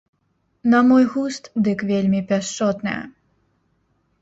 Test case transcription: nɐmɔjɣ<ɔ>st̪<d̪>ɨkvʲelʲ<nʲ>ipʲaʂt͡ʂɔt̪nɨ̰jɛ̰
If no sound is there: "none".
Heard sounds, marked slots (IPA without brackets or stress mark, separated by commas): u, d̪, mʲ